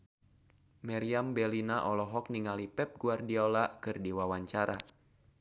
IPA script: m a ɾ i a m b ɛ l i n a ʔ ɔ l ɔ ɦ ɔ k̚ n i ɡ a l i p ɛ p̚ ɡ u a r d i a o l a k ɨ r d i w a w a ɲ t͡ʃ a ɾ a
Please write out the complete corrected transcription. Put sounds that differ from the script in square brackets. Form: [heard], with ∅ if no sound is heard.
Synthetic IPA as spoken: m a ɾ i a m b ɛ l i n a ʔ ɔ l ɔ ɦ ɔ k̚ n i [ŋ] a l i p ɛ p̚ ɡ u a r d i a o l a k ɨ r d i w a w a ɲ t͡ʃ a ɾ a